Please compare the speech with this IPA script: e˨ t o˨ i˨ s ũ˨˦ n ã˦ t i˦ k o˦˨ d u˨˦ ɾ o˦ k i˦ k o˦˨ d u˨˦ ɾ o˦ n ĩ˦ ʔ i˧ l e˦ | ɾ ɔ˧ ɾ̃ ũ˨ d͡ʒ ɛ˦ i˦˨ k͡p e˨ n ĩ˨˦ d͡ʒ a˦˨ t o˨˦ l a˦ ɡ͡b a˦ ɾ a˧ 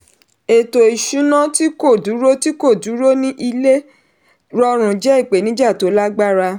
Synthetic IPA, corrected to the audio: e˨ t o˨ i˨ ʃ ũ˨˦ n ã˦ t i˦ k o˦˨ d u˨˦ ɾ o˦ t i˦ k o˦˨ d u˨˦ ɾ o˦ n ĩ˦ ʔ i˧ l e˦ | ɾ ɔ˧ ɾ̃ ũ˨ d͡ʒ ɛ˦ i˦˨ k͡p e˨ n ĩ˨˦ d͡ʒ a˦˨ t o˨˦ l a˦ ɡ͡b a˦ ɾ a˧